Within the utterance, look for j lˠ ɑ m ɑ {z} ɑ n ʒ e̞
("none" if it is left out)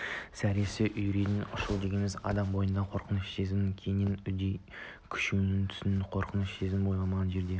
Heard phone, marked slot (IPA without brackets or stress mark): ʁ